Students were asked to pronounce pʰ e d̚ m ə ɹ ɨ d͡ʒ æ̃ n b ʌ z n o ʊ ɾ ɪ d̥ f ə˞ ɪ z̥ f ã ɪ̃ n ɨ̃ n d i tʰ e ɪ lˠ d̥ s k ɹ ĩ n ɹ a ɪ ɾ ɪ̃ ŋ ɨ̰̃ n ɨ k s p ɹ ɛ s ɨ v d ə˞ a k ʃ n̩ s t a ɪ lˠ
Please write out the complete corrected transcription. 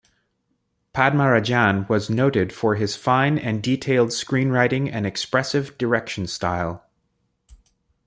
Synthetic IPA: pʰ æ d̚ m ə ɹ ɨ d͡ʒ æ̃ n w ʌ z n o ʊ ɾ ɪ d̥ f ə˞ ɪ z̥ f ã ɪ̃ n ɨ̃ n d i tʰ e ɪ lˠ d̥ s k ɹ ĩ n ɹ a ɪ ɾ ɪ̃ ŋ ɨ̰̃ n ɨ k s p ɹ ɛ s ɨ v d ə˞ ɛ k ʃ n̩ s t a ɪ lˠ